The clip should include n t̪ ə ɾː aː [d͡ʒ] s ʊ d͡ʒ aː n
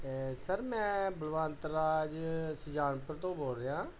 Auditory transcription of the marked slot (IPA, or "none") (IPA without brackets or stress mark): d͡ʒ